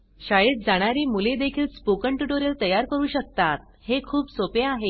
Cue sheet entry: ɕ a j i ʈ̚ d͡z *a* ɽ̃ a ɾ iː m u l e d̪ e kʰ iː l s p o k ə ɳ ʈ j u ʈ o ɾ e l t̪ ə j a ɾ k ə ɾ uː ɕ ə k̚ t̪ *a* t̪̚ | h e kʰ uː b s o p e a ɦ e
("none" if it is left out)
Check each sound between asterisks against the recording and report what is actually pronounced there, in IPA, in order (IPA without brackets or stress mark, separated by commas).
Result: a, a